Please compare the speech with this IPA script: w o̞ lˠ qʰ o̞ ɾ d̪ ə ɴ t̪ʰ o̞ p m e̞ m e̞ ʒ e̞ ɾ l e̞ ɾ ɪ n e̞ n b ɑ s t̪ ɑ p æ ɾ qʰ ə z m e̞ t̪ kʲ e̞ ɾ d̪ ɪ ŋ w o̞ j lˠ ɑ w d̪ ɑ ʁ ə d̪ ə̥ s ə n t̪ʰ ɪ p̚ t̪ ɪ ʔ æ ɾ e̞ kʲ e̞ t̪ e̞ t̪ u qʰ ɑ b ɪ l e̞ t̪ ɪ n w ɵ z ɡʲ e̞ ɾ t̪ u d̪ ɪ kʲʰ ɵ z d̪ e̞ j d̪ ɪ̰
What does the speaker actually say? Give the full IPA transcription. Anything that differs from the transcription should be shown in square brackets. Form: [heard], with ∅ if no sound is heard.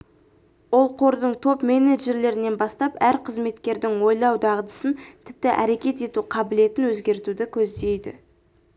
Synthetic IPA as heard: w o̞ lˠ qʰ o̞ ɾ d̪ ə ɴ t̪ʰ o̞ p m e̞ [n] e̞ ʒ e̞ ɾ l e̞ ɾ ɪ n e̞ n b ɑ s t̪ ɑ p æ ɾ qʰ ə z m e̞ t̪ kʲ e̞ ɾ d̪ ɪ ŋ w o̞ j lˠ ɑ w d̪ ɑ ʁ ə d̪ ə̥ s ə n t̪ʰ ɪ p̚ t̪ ɪ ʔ æ ɾ e̞ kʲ e̞ t̪ e̞ t̪ u qʰ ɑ b ɪ l e̞ t̪ ɪ n w ɵ z ɡʲ e̞ ɾ t̪ u d̪ ɪ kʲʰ ɵ z d̪ e̞ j d̪ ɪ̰